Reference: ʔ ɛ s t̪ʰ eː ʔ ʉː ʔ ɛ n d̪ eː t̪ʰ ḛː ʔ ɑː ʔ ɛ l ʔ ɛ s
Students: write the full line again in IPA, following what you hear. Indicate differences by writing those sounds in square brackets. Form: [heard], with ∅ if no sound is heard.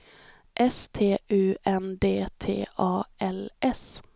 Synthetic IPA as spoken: ʔ ɛ s t̪ʰ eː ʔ ʉː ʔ ɛ n d̪ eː t̪ʰ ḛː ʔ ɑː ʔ ɛ l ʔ ɛ s